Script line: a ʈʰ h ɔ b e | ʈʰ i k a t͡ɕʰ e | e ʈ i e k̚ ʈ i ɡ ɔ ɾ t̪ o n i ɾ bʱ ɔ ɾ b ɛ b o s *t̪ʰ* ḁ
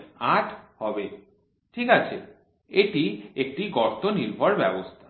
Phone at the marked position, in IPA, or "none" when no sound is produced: t̪ʰ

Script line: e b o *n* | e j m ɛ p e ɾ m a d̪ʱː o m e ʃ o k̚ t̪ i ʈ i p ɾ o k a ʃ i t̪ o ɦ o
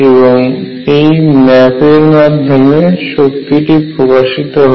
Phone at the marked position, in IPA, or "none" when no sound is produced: ŋ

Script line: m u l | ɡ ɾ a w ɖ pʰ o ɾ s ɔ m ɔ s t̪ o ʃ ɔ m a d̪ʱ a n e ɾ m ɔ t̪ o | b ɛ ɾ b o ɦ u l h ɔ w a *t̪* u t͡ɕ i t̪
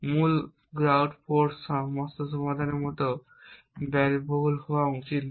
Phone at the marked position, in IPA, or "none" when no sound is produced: none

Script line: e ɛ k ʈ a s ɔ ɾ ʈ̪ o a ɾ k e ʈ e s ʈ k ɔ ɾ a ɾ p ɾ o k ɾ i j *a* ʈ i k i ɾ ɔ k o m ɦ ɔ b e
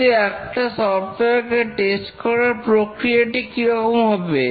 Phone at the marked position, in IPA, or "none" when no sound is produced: a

